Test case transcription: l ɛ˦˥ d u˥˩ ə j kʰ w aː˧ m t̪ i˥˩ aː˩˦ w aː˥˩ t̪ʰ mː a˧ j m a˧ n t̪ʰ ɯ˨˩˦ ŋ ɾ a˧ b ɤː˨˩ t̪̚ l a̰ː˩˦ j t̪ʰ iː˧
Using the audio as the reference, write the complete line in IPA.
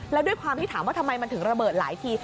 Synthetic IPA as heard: l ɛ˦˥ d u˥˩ ə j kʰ w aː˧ m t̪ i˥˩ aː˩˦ w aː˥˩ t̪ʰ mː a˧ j m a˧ n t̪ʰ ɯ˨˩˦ ŋ ɾ a˧ b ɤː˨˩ t̪̚ l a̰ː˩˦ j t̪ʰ iː˧